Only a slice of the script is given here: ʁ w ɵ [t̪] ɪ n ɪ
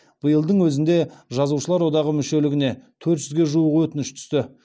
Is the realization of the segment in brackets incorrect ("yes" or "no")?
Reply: no